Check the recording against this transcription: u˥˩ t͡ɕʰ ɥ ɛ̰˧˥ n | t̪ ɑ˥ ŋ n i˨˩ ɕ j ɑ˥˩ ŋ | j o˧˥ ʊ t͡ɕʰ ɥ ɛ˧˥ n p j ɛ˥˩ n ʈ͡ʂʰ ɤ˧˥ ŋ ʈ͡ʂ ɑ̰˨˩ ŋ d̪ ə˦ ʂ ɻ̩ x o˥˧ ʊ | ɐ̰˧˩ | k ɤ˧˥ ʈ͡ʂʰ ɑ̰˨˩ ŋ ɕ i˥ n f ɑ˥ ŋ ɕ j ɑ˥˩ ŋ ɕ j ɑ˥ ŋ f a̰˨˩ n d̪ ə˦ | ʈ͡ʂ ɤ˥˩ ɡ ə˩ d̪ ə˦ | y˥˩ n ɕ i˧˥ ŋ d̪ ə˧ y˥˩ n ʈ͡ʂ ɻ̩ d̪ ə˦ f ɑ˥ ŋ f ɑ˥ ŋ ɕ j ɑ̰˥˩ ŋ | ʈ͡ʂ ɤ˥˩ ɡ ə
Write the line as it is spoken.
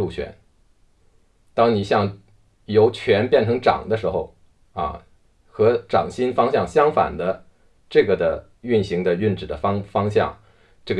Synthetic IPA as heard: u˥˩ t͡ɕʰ ɥ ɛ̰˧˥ n | t̪ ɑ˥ ŋ n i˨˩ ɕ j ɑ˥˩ ŋ | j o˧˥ ʊ t͡ɕʰ ɥ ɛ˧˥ n p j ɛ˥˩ n ʈ͡ʂʰ ɤ˧˥ ŋ ʈ͡ʂ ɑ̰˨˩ ŋ d̪ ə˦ ʂ ɻ̩ x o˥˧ ʊ | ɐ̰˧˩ | x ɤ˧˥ ʈ͡ʂ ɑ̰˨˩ ŋ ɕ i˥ n f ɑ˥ ŋ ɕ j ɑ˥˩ ŋ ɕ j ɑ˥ ŋ f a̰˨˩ n d̪ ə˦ | ʈ͡ʂ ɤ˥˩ ɡ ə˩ d̪ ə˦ | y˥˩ n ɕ i˧˥ ŋ d̪ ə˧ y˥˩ n ʈ͡ʂ ɻ̩ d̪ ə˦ f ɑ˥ ŋ f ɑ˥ ŋ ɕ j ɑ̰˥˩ ŋ | ʈ͡ʂ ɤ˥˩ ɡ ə